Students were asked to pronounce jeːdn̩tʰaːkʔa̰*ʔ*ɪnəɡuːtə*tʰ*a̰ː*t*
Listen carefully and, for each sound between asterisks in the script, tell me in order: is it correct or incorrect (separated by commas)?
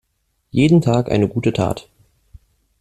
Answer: incorrect, correct, correct